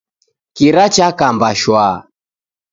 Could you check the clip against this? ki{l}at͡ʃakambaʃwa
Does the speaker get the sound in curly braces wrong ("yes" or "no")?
yes